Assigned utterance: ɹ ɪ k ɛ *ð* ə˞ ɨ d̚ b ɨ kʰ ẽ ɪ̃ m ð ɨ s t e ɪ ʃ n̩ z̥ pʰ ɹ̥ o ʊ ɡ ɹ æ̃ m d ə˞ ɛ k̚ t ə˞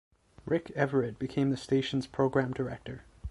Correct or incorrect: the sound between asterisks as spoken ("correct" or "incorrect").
incorrect